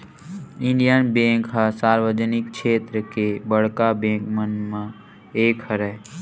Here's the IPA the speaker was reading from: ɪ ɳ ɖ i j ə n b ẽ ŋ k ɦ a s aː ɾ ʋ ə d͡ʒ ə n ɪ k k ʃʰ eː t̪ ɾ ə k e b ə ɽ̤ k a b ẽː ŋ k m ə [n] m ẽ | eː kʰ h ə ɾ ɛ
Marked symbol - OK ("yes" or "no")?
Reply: yes